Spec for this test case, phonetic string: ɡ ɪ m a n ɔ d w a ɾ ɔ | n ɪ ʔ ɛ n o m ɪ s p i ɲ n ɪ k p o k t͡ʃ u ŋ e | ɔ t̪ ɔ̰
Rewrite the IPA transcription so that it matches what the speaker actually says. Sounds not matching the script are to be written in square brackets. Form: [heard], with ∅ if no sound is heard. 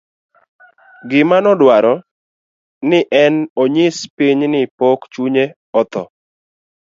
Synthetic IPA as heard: ɡ ɪ m a n ɔ d w a ɾ ɔ | n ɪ ʔ ɛ n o [ɲ] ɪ s p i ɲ n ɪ [∅] p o k t͡ʃ u [ɲ] e | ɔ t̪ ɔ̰